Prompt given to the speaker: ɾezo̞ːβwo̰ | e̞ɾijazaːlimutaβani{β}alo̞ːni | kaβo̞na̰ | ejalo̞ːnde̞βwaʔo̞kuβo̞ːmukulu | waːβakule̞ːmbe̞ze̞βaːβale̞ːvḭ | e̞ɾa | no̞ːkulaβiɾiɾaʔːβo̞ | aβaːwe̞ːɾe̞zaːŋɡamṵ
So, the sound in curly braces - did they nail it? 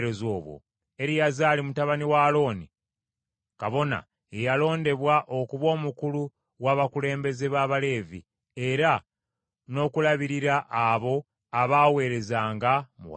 no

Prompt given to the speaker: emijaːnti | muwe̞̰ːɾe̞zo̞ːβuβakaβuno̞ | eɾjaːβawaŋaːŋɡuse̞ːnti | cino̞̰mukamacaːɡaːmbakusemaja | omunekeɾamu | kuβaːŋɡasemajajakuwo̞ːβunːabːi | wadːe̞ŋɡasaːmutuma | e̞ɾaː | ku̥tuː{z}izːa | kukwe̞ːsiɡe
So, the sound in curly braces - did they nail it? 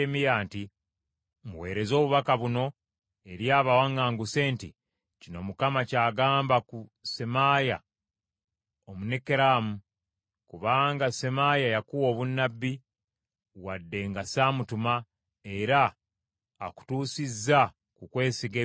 no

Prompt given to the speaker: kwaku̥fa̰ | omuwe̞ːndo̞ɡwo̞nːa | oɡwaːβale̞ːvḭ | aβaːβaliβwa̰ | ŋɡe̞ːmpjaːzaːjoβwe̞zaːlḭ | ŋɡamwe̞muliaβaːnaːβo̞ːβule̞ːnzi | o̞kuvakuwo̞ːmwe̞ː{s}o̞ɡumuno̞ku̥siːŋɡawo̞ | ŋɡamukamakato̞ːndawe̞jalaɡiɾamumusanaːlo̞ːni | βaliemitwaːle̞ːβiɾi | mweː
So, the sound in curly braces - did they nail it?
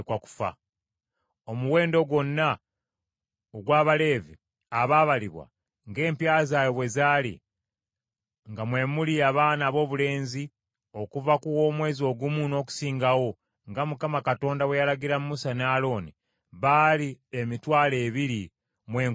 no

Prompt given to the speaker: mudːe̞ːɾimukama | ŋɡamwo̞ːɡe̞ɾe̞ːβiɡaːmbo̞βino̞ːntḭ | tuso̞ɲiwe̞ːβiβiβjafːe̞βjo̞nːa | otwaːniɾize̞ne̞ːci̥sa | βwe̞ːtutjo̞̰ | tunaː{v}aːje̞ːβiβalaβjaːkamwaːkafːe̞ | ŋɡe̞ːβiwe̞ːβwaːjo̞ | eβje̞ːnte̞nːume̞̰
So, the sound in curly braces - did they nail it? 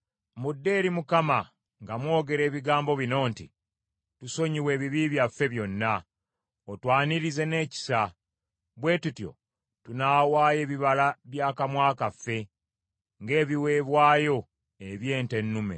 no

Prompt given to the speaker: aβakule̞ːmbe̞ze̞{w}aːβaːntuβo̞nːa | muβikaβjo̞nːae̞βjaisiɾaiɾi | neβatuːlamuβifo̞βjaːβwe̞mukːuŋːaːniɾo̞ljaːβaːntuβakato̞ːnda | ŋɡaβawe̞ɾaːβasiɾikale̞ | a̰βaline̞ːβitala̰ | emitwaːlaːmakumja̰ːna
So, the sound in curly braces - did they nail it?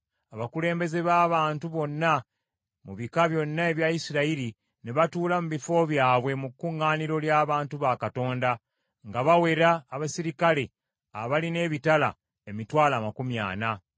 no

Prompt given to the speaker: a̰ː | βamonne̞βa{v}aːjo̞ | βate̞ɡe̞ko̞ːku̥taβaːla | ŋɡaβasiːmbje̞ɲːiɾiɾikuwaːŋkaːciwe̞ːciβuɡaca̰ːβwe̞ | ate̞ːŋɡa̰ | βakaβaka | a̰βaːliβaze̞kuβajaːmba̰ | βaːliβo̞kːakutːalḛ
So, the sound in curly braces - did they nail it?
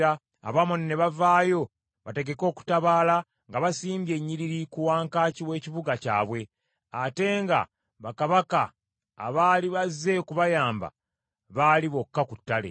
yes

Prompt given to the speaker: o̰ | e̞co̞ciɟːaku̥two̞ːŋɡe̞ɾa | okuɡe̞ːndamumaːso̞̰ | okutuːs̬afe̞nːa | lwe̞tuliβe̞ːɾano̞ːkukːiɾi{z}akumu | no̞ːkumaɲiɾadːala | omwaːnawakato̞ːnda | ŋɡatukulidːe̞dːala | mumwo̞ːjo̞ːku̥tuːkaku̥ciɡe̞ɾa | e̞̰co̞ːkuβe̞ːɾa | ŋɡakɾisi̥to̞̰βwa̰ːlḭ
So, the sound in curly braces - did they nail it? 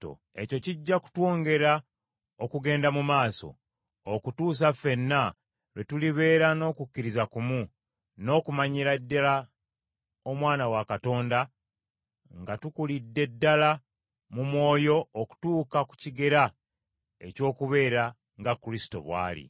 yes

